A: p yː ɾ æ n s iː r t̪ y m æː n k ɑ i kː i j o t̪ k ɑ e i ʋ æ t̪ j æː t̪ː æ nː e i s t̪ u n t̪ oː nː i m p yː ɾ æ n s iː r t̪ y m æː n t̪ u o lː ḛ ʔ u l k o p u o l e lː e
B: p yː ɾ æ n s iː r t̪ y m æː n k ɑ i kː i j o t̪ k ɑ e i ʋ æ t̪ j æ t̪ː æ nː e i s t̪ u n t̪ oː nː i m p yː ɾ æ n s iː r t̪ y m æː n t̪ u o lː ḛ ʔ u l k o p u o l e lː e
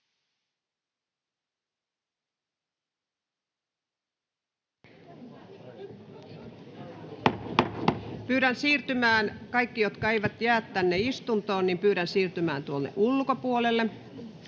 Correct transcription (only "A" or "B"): A